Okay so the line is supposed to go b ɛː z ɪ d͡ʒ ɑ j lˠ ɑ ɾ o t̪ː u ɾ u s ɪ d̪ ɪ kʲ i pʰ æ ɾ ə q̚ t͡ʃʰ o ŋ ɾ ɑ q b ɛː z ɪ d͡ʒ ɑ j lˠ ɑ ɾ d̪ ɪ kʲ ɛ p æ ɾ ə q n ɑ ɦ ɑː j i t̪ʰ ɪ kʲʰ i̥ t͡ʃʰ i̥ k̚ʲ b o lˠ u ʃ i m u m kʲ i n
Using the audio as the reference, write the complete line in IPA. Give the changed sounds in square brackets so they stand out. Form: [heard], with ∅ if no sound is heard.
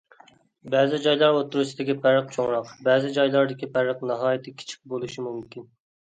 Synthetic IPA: b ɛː z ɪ d͡ʒ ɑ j lˠ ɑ ɾ o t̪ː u ɾ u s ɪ d̪ ɪ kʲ i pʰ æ ɾ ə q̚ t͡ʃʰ o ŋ ɾ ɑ q b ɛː z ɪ d͡ʒ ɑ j lˠ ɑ ɾ d̪ ɪ kʲ [i] p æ ɾ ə q n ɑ ɦ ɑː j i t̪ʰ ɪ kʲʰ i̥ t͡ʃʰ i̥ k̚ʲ b o lˠ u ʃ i m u m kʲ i n